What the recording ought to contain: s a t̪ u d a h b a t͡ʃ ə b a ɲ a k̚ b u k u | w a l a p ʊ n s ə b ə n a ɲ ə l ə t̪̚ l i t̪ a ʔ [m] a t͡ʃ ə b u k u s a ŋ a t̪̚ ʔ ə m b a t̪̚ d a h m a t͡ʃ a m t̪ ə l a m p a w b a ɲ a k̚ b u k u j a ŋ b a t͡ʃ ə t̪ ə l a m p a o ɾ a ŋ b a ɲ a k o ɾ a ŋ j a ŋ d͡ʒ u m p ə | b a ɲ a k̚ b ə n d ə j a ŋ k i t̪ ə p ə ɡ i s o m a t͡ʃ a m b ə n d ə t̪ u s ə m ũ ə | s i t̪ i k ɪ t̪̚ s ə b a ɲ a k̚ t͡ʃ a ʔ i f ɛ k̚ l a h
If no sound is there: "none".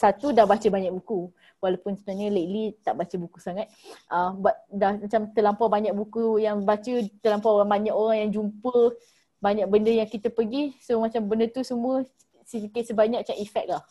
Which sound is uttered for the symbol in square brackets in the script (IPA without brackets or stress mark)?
b